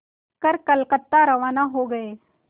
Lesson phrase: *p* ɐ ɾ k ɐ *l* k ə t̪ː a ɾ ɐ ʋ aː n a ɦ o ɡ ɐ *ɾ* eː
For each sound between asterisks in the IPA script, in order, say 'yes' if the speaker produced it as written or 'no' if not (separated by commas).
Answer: no, yes, no